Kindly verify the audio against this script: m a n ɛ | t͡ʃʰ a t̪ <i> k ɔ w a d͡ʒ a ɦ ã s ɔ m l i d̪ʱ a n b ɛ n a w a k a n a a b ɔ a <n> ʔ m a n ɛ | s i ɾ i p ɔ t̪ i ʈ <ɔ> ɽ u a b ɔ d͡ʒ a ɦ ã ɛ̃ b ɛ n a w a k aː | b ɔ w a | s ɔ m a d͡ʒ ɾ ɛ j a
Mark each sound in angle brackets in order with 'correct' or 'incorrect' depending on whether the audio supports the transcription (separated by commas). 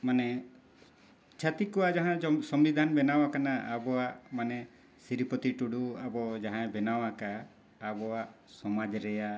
correct, incorrect, incorrect